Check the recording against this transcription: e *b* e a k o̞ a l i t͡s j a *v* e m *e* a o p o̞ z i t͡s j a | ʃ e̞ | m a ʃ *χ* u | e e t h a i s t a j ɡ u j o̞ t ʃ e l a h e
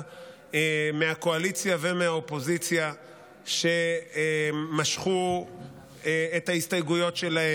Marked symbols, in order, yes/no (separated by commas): no, yes, yes, yes